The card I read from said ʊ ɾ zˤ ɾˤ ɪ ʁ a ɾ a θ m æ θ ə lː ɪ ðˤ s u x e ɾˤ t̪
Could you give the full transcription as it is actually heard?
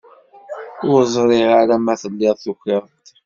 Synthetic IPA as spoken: ʊ ɾ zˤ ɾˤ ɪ ʁ a ɾ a m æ θ ə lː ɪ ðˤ θ u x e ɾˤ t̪